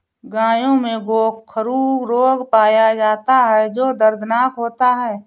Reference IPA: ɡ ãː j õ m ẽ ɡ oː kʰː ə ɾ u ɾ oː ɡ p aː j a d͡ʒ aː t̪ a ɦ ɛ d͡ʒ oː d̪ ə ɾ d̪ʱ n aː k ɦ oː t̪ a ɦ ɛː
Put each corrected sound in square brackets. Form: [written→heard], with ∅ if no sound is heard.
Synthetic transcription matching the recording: ɡ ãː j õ m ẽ ɡ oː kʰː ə ɾ u ɾ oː ɡ p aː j a d͡ʒ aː t̪ a ɦ ɛ d͡ʒ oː d̪ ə ɾ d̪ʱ n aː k ɦ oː t̪ a ɦ ɛː